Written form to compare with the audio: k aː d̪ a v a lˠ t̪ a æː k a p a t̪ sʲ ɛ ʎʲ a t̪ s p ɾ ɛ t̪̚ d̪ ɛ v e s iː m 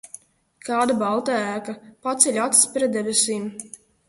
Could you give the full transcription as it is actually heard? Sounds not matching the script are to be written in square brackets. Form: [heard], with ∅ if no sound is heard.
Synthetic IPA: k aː d̪ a [b] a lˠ t̪ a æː k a p a t̪ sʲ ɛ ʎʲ a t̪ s p ɾ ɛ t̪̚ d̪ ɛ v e s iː m

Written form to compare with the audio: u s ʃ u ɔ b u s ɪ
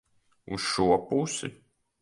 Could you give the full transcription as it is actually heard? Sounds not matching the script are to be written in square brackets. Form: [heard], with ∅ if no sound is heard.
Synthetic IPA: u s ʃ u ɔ [p] u s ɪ

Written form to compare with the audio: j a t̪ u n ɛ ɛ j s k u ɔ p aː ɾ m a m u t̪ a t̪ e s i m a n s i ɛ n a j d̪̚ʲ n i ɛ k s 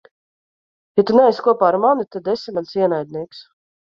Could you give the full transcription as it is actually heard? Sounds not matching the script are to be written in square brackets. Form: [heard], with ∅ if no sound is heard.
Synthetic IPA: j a t̪ u n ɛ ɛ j s k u ɔ p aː ɾ m a [n] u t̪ a [d̪] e s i m a n s i ɛ n a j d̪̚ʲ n i ɛ k s

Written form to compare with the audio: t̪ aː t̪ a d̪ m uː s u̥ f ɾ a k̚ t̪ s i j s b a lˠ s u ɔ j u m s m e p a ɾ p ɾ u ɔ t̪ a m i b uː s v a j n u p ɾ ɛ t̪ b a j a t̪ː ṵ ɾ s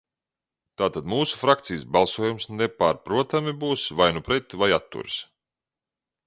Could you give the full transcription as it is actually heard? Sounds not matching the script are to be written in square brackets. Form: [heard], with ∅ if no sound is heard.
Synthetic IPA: t̪ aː t̪ a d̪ m uː s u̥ f ɾ a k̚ t̪ s i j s b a lˠ s u ɔ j u m s [n] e p a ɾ p ɾ u ɔ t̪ a m i b uː s v a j n u p ɾ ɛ t̪ [v] a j a t̪ː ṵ ɾ s

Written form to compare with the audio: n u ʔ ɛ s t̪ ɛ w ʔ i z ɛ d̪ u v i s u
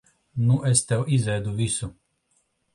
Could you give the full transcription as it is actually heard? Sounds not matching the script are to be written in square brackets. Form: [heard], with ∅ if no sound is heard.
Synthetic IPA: n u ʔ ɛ s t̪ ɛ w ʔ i z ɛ d̪ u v i s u

